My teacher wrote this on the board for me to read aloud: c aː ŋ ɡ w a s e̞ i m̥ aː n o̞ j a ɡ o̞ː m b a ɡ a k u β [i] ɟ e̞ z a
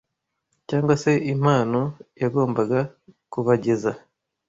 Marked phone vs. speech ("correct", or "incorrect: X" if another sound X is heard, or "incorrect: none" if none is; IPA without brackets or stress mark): incorrect: a